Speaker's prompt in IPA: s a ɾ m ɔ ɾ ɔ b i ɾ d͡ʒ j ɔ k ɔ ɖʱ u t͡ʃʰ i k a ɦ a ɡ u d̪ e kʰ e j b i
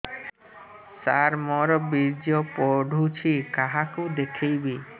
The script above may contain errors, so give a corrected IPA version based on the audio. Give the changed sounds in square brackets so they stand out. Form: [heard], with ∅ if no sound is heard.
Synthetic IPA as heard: s a ɾ m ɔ ɾ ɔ b i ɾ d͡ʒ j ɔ [p] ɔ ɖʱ u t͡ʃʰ i k a ɦ a [k] u d̪ e kʰ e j b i